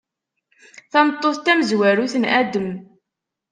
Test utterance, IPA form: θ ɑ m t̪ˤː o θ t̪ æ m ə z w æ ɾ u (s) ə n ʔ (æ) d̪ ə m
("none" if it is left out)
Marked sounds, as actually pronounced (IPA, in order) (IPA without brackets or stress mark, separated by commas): θ, æ